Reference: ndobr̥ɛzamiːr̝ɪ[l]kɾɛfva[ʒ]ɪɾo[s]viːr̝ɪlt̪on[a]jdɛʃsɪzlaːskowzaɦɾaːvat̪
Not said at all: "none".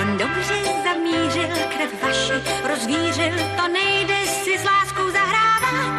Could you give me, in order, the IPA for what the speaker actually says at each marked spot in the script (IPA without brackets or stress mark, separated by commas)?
l, ʃ, z, ɛ